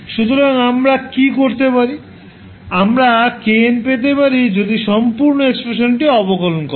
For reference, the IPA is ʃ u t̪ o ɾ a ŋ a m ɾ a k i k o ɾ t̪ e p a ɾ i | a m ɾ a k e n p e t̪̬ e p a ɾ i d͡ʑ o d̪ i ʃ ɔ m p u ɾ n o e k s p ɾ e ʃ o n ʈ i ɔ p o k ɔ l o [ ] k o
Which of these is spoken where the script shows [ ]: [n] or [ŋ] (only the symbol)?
n